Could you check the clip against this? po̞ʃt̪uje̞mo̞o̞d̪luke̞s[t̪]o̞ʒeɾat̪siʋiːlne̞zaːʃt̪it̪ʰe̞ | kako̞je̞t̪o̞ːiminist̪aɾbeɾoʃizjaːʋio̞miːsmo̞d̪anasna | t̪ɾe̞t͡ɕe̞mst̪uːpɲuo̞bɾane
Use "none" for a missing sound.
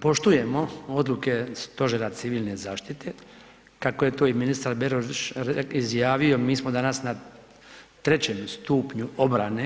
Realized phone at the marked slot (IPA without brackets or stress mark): t̪